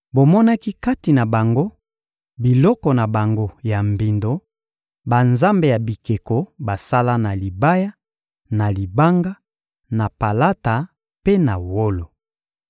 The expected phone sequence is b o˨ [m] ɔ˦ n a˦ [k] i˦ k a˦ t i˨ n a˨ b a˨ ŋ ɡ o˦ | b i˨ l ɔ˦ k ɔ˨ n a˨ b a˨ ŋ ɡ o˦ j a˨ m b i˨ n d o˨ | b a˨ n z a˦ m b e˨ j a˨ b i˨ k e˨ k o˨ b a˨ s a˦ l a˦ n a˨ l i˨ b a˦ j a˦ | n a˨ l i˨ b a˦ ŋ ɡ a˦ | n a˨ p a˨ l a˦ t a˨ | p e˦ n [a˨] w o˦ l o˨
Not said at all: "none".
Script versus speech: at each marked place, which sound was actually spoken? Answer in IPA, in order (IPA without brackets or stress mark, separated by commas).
m, k, a˨